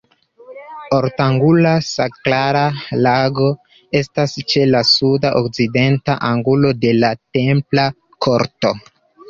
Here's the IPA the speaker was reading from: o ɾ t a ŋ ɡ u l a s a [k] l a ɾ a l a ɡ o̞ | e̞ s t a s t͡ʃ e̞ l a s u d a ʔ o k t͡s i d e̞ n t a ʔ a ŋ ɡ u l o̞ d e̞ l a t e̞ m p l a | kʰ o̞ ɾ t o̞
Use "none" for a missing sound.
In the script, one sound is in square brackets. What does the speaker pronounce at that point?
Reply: k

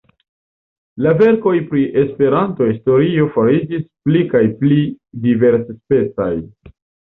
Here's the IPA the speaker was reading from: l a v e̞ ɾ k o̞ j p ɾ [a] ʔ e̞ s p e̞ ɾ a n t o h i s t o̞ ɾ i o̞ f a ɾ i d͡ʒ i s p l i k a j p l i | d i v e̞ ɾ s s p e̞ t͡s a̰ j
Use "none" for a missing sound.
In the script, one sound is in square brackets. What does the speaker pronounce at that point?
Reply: i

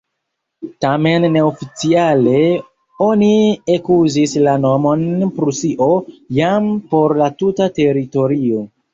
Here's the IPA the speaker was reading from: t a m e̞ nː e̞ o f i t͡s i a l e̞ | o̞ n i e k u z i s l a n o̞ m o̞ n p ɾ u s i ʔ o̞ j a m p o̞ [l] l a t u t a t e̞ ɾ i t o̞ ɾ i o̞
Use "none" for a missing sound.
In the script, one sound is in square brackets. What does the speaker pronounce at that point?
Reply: ɾ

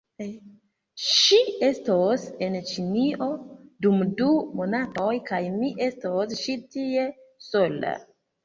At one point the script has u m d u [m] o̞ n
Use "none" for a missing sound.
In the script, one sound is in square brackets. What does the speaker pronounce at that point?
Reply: m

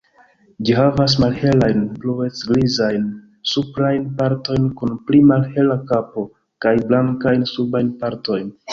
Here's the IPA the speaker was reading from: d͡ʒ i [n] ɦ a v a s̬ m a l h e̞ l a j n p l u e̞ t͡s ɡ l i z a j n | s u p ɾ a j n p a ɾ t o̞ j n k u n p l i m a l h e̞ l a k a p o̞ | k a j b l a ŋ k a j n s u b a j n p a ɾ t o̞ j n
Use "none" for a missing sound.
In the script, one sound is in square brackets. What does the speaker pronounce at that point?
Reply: none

